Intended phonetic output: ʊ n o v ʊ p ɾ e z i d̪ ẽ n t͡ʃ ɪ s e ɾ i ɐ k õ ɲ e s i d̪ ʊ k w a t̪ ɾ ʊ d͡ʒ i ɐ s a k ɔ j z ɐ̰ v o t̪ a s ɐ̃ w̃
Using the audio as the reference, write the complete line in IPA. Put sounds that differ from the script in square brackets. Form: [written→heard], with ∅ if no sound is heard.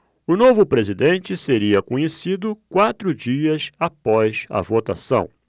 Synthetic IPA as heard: ʊ n o v ʊ p ɾ e z i d̪ ẽ n t͡ʃ ɪ s e ɾ i ɐ k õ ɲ e s i d̪ ʊ k w a t̪ ɾ ʊ d͡ʒ i ɐ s a [k→p] ɔ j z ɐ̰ v o t̪ a s ɐ̃ w̃

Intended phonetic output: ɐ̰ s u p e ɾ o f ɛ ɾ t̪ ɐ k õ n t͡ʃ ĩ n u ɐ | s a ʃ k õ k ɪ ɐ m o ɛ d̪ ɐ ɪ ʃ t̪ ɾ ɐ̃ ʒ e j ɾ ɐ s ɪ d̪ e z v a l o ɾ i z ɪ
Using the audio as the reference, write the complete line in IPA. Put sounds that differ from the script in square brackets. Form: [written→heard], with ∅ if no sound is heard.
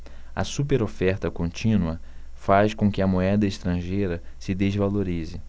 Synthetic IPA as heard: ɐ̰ s u p e ɾ o f ɛ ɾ t̪ ɐ k õ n t͡ʃ ĩ n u ɐ | [s→f] a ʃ k õ k ɪ ɐ m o ɛ d̪ ɐ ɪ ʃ t̪ ɾ ɐ̃ ʒ e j ɾ ɐ s ɪ d̪ e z v a l o ɾ i z ɪ

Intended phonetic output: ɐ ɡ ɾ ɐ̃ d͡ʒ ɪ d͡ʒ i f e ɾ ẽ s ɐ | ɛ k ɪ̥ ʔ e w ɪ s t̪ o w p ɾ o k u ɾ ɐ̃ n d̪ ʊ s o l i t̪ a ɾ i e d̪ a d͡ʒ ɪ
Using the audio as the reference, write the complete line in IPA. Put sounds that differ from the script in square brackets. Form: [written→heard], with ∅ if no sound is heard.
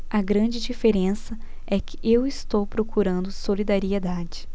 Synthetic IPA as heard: ɐ ɡ ɾ ɐ̃ d͡ʒ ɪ d͡ʒ i f e ɾ ẽ s ɐ | ɛ k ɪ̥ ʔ e w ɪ s t̪ o w p ɾ o k u ɾ ɐ̃ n d̪ ʊ s o l i [t̪→d̪] a ɾ i e d̪ a d͡ʒ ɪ

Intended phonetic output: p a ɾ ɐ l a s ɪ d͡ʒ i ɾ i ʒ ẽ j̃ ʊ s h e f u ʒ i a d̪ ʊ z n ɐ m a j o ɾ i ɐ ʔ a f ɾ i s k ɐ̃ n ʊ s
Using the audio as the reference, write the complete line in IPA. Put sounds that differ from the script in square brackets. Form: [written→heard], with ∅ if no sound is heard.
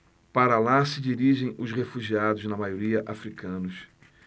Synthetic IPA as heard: p a ɾ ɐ l a s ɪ d͡ʒ i ɾ i ʒ ẽ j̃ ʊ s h e f u ʒ i a d̪ ʊ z n ɐ m a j o ɾ i ɐ ʔ a f ɾ i [s→∅] k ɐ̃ n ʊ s

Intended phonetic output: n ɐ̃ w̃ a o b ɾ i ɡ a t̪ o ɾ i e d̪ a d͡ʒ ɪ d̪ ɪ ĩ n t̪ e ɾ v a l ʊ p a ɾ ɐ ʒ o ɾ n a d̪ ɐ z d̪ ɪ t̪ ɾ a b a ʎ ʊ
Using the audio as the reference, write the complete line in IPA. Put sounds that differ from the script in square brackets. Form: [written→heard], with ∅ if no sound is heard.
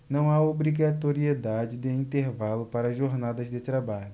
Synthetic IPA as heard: n ɐ̃ w̃ a o b ɾ i ɡ a t̪ o ɾ i e d̪ a d͡ʒ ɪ d̪ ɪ ĩ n t̪ e ɾ v a l ʊ p a ɾ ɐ ʒ o ɾ n a d̪ ɐ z d̪ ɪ t̪ ɾ a b a ʎ ʊ

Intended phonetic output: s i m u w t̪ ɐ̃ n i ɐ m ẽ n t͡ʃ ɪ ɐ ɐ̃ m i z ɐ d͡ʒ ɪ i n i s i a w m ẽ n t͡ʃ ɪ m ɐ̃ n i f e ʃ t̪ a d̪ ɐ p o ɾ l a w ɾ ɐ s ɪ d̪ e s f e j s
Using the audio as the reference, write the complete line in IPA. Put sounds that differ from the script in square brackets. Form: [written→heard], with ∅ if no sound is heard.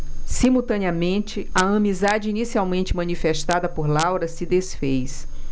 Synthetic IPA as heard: s i m u w t̪ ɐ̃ n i ɐ m ẽ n t͡ʃ ɪ ɐ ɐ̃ m i z [ɐ→a] d͡ʒ ɪ i n i s i a w m ẽ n t͡ʃ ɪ m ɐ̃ n i f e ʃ t̪ a d̪ ɐ p o ɾ l a w ɾ ɐ s ɪ d̪ e s f e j s

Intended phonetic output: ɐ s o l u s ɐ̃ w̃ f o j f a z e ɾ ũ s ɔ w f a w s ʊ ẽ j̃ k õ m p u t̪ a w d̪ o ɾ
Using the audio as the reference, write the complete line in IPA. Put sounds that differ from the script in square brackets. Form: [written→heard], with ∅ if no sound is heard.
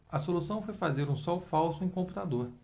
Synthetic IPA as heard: ɐ s o l u s ɐ̃ w̃ f o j f a z e ɾ ũ s ɔ w f a w s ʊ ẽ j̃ k õ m p u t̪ a [w→∅] d̪ o ɾ

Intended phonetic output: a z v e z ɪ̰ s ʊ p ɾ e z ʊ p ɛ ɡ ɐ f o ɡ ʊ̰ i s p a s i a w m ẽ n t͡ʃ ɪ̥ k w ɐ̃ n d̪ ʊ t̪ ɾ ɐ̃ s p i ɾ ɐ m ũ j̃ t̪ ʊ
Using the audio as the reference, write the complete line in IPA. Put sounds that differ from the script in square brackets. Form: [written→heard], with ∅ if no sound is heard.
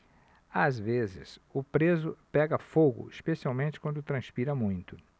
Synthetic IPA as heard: a z v e z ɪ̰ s ʊ p ɾ e z ʊ p ɛ ɡ ɐ f o ɡ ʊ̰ i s p [a→e] s i a w m ẽ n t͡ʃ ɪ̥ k w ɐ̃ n d̪ ʊ t̪ ɾ ɐ̃ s p i ɾ ɐ m ũ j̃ t̪ ʊ

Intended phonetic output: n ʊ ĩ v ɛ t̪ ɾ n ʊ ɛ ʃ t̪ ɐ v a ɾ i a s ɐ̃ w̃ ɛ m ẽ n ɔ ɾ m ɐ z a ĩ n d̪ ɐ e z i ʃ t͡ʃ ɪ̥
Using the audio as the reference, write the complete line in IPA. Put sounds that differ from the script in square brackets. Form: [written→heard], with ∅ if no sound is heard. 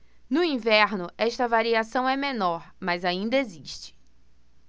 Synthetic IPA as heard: n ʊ ĩ v ɛ [t̪→∅] ɾ n ʊ ɛ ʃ t̪ ɐ v a ɾ i a s ɐ̃ w̃ ɛ m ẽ n ɔ ɾ m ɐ z a ĩ n d̪ ɐ e z i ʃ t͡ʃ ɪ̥

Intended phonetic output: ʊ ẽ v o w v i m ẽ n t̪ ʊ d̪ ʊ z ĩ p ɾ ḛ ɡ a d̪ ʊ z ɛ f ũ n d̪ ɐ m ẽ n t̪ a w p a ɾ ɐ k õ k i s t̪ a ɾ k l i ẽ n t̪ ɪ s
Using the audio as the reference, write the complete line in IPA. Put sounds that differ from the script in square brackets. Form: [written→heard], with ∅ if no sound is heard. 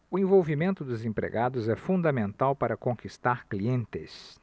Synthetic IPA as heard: ʊ ẽ v o w v i m ẽ n t̪ ʊ d̪ ʊ z [ĩ→ẽ] p ɾ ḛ ɡ a d̪ ʊ z ɛ f ũ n d̪ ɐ m ẽ n t̪ a w p a ɾ ɐ k õ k i s t̪ a ɾ k l i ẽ n t̪ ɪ s

